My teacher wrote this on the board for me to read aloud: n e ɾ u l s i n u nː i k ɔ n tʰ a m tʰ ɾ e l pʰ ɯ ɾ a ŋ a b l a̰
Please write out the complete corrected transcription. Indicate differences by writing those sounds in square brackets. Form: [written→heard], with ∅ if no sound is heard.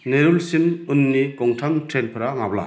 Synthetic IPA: n e ɾ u l s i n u nː i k ɔ [n→ŋ] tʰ a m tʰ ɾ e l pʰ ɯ ɾ a ŋ a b l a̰